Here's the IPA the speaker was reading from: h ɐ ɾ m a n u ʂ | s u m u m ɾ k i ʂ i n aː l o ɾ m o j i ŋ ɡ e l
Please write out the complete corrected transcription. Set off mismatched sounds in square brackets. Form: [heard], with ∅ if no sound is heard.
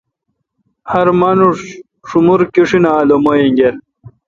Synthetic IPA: h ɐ ɾ m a n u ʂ | [ʂ] u m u [∅] ɾ k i ʂ i n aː l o [∅] m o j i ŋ ɡ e [ɾ]